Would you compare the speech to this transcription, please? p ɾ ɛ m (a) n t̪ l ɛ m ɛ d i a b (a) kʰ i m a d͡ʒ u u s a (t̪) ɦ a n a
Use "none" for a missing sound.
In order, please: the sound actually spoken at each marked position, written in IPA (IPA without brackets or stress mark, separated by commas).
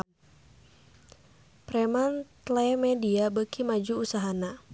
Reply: a, ə, none